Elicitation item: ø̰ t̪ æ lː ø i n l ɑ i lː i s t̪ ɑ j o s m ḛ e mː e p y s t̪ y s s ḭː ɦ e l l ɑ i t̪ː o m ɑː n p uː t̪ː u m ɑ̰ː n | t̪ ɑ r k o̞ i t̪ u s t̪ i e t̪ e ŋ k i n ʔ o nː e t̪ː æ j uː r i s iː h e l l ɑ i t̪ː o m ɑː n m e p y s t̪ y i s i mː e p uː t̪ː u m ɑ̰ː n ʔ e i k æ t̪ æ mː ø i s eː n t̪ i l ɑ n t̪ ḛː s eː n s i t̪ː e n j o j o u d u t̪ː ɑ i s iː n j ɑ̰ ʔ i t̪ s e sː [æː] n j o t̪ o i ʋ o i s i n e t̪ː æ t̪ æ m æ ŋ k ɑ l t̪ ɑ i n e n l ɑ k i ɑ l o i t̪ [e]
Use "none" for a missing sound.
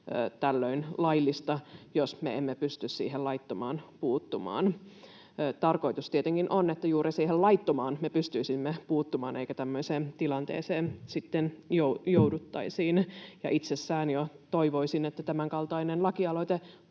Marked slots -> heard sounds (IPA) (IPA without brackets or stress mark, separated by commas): æː, e